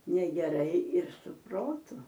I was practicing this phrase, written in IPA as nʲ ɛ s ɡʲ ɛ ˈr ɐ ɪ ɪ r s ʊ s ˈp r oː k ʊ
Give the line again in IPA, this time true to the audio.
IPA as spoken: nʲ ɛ ɡʲ ɛ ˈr ɐ ɪ ɪ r s ʊ ˈp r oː t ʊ